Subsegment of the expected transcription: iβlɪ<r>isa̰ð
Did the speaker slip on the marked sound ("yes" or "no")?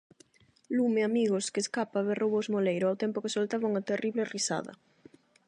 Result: no